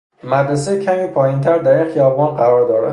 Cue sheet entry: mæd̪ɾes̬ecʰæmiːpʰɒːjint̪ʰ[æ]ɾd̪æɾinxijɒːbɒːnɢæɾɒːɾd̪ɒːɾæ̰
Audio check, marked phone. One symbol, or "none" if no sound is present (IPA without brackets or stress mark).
æ